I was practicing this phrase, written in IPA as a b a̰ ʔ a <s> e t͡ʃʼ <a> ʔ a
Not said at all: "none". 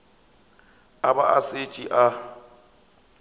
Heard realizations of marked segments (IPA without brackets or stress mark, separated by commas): s, i